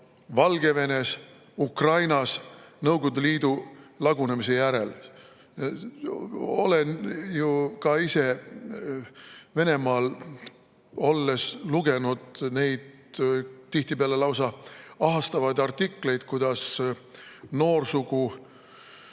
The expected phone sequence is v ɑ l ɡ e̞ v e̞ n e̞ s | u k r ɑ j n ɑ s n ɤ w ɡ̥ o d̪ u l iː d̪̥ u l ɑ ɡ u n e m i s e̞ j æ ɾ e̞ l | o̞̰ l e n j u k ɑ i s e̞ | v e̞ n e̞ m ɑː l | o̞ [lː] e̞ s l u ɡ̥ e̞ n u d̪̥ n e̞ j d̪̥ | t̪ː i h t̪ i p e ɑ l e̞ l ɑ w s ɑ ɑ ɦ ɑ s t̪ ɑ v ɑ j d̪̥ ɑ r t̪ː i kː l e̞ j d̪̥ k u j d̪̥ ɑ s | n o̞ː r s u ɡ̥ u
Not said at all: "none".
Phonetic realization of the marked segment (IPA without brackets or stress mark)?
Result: lː